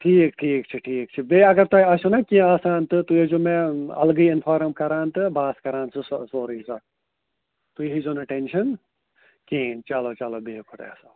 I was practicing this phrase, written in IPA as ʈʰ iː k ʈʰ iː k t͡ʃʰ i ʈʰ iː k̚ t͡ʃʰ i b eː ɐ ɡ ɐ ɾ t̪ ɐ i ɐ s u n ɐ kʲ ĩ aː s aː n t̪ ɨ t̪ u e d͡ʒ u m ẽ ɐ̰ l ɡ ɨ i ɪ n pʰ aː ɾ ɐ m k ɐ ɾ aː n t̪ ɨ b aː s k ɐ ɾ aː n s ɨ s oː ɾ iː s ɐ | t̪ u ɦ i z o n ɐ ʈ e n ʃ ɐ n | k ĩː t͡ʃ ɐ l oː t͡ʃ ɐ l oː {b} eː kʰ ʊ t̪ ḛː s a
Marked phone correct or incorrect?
correct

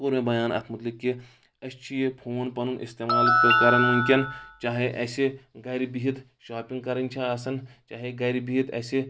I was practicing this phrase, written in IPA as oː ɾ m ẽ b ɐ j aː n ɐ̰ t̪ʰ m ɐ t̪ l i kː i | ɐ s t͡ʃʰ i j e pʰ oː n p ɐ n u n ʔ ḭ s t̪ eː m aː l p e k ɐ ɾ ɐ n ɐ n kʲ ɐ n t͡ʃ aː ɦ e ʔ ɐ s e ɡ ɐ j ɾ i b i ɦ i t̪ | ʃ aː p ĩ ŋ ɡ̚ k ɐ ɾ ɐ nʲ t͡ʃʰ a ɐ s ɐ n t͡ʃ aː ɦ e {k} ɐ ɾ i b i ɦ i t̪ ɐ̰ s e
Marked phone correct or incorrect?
incorrect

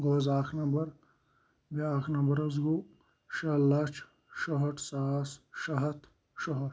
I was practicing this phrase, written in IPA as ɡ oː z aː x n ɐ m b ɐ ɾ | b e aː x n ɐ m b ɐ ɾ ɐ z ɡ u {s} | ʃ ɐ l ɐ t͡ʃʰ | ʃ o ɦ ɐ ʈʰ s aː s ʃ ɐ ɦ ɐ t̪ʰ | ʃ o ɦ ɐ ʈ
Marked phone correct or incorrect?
incorrect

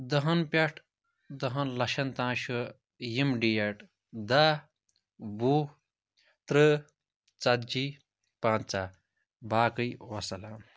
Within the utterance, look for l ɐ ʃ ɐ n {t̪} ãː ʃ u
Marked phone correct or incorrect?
correct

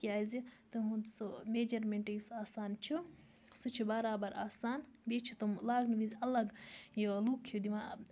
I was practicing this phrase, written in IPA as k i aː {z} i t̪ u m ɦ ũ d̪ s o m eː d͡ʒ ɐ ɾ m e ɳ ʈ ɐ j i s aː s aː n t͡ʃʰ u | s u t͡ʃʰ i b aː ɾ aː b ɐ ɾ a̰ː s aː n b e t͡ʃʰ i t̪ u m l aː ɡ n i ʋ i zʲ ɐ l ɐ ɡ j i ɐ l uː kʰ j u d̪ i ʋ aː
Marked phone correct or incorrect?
correct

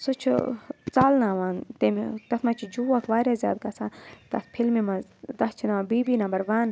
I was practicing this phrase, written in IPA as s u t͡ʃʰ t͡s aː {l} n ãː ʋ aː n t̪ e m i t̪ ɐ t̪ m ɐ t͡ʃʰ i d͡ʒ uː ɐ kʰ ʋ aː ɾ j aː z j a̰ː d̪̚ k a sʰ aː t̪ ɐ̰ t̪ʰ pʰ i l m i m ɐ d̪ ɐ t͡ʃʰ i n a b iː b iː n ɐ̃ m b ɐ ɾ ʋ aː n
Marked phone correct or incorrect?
correct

